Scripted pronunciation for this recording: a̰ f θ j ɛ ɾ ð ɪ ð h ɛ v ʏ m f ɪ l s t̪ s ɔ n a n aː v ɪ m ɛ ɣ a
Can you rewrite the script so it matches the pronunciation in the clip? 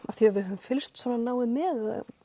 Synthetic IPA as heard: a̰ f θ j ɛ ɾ v ɪ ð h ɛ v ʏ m f ɪ l s t̪ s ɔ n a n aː w ɪ m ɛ ð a